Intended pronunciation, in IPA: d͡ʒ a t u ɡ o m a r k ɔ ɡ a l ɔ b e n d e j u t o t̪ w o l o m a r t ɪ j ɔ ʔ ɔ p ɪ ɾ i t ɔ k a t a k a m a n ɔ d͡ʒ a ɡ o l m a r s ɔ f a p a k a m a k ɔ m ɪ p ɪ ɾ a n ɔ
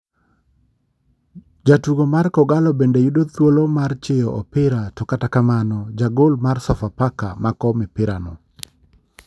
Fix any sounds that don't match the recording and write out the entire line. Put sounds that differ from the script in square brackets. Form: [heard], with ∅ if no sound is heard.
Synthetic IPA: d͡ʒ a t u ɡ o m a r k ɔ ɡ a l ɔ b e n d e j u [d] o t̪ w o l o m a r [t͡ʃ] ɪ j ɔ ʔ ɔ p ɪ ɾ [a] t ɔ k a t a k a m a n ɔ d͡ʒ a ɡ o l m a r s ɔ f a p a k a m a k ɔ m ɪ p ɪ ɾ a n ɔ